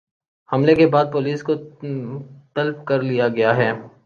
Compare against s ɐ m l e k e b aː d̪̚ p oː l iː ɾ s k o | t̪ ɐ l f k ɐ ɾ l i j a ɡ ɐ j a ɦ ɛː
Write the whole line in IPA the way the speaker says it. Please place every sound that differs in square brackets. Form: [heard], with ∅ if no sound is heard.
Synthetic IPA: [h] ɐ m l e k e b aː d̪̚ p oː l iː [∅] s k o | t̪ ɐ l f k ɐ ɾ l i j a ɡ ɐ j a ɦ ɛː